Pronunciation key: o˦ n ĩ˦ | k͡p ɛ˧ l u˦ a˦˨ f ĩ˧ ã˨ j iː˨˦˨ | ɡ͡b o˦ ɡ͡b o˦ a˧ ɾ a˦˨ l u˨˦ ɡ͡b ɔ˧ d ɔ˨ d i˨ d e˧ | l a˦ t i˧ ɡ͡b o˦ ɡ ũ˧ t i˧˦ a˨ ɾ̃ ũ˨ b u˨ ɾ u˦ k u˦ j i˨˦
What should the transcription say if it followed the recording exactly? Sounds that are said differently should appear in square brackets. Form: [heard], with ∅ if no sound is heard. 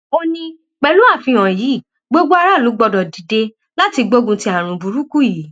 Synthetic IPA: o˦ n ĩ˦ | k͡p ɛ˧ l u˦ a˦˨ f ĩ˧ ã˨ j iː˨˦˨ | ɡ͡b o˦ ɡ͡b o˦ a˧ ɾ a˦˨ l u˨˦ ɡ͡b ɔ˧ d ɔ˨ d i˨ d e˧ | l a˦ t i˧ ɡ͡b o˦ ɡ ũ˧ t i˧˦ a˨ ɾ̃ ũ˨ b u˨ ɾ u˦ k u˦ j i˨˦